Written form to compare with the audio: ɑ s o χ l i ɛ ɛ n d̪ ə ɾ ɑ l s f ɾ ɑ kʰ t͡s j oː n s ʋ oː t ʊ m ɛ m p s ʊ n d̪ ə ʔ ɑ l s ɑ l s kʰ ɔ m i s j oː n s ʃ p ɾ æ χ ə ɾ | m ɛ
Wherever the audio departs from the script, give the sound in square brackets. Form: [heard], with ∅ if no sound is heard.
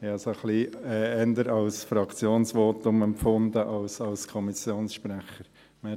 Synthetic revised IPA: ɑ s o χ l i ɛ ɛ n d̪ ə ɾ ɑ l s f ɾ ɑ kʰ t͡s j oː n s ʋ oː t ʊ m ɛ m p [f] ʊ n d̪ ə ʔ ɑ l s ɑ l s kʰ ɔ m i s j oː n s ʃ p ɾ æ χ ə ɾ | m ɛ